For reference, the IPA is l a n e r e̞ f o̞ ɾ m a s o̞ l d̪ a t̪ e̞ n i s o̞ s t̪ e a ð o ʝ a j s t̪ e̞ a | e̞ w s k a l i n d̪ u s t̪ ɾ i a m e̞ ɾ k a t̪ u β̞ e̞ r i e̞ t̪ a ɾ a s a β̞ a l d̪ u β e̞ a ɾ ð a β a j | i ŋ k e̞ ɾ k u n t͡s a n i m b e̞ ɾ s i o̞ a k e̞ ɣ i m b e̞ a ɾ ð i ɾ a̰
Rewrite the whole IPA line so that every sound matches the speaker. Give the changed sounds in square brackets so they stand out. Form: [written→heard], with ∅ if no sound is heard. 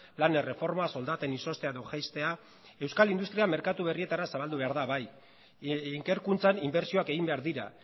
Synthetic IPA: l a n e r e̞ f o̞ ɾ m a s o̞ l d̪ a t̪ e̞ n i s o̞ s t̪ e a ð o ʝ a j s t̪ e̞ a | e̞ w s k a l i n d̪ u s t̪ ɾ i a m e̞ ɾ k a t̪ u β̞ e̞ r i e̞ t̪ a ɾ a s a β̞ a l d̪ u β e̞ a ɾ ð a β a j | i ŋ k e̞ ɾ k u n t͡s a n i m b e̞ ɾ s i o̞ a k e̞ ɣ i m b e̞ a ɾ ð i ɾ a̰